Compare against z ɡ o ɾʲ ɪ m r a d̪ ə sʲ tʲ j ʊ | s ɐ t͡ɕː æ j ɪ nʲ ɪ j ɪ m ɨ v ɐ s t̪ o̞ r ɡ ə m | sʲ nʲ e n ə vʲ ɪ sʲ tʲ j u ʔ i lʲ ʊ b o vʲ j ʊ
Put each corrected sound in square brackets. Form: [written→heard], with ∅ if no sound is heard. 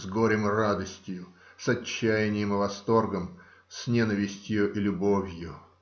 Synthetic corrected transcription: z ɡ o ɾʲ ɪ m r a d̪ ə sʲ tʲ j ʊ | s ɐ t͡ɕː æ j ɪ nʲ ɪ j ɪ m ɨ v ɐ s t̪ o̞ r ɡ ə m | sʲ nʲ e n ə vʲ ɪ sʲ tʲ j [u→ʊ] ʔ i lʲ ʊ b o vʲ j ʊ